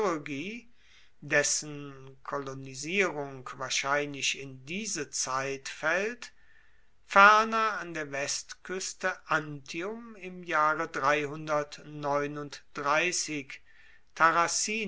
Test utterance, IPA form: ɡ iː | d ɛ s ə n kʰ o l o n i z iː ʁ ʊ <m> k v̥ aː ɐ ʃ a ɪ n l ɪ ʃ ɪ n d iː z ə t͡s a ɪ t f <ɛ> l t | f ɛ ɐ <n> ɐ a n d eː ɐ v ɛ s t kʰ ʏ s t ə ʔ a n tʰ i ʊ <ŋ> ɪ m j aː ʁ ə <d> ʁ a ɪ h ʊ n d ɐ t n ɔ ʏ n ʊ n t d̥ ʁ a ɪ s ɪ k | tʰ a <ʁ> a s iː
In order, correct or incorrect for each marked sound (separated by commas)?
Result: incorrect, correct, correct, incorrect, correct, correct